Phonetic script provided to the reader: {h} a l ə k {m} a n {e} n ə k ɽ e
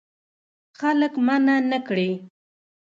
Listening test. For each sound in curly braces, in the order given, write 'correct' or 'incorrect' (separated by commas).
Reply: incorrect, correct, incorrect